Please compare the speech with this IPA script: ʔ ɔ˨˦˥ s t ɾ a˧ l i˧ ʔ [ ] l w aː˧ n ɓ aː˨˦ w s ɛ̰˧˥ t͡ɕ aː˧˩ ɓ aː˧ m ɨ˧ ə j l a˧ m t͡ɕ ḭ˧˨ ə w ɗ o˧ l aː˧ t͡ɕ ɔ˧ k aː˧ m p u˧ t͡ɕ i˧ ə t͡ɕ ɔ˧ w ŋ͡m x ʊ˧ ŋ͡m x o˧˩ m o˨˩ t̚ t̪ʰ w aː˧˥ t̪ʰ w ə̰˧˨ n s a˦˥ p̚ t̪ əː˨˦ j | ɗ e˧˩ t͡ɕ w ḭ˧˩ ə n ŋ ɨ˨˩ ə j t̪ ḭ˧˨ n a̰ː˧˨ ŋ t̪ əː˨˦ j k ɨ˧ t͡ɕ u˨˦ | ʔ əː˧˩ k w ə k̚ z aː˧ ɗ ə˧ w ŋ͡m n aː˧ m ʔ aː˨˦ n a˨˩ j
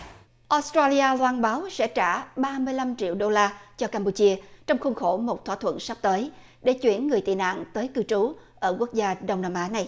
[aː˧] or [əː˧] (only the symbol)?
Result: aː˧